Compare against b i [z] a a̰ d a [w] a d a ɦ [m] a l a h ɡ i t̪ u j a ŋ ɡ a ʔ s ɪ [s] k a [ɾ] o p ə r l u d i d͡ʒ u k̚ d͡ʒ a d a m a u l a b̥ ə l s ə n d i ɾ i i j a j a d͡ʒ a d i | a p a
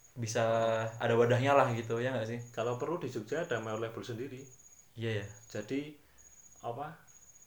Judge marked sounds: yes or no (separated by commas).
no, yes, no, no, no